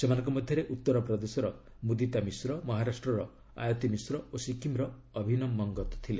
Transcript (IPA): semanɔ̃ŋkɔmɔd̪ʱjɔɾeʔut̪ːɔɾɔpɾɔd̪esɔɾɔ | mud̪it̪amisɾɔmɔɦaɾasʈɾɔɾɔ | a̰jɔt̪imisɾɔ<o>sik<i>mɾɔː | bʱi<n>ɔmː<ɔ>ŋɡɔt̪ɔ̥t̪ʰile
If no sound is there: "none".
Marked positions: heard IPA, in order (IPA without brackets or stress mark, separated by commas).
o, i, n, ɔ